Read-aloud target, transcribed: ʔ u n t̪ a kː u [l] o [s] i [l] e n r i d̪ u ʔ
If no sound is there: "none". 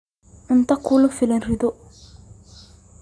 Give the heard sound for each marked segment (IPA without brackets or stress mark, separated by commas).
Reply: l, f, l